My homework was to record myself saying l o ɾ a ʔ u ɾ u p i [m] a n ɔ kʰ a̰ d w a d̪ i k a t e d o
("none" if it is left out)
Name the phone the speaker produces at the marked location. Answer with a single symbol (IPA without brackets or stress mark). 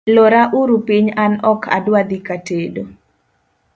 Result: ɲ